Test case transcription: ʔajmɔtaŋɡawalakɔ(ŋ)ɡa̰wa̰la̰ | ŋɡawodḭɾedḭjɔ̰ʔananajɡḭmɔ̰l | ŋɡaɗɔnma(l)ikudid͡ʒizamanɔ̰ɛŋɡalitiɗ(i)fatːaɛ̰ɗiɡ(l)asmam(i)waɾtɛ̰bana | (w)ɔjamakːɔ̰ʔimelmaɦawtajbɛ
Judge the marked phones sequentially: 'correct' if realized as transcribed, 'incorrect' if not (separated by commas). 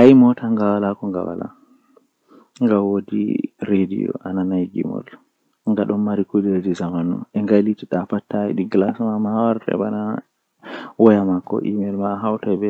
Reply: correct, incorrect, incorrect, correct, incorrect, correct